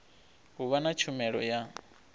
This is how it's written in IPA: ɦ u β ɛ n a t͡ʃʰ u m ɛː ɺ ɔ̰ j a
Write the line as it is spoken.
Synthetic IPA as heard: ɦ u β a n a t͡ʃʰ u m ɛ ɺ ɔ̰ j a